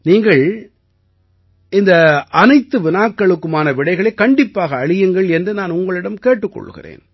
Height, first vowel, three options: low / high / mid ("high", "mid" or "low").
high